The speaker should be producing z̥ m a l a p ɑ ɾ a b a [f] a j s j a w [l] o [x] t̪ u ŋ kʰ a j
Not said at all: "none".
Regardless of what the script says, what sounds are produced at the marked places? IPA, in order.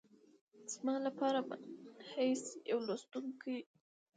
h, l, s

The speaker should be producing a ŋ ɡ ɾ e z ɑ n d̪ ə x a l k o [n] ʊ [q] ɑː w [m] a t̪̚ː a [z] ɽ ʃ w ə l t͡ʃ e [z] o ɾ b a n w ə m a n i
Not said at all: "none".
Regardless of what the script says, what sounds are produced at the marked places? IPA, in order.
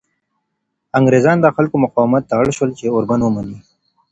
m, q, m, none, none

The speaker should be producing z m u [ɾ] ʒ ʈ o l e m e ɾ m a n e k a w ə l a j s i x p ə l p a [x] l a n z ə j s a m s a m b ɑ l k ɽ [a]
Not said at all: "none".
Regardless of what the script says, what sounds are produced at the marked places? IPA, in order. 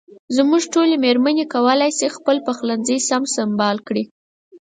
none, x, i

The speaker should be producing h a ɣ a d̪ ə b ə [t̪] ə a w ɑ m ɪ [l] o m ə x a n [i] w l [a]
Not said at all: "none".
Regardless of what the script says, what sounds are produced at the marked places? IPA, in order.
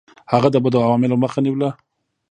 d̪, l, i, a

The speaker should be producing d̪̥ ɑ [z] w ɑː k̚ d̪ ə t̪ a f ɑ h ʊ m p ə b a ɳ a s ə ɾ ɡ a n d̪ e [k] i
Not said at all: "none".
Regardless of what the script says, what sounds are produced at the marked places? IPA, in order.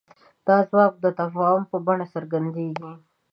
z, ɡ

